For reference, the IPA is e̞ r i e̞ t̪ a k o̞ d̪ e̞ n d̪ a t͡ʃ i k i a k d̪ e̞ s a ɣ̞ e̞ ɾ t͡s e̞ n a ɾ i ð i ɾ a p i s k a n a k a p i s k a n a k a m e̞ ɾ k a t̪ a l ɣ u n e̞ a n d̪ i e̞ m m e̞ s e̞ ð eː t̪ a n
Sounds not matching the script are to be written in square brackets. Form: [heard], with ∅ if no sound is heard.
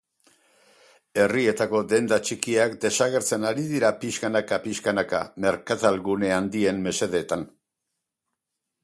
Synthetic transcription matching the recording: e̞ r i e̞ t̪ a k o̞ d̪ e̞ n d̪ a t͡ʃ i k i a k d̪ e̞ s a ɣ̞ e̞ ɾ t͡s e̞ n a ɾ i ð i ɾ a p i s k a n a k a p i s k a n a k a m e̞ ɾ k a t̪ a l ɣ u n e̞ a n d̪ i e̞ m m e̞ s e̞ ð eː t̪ a n